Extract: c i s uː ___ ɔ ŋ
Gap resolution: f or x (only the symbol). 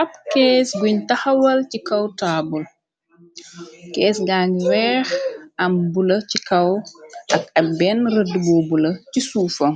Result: f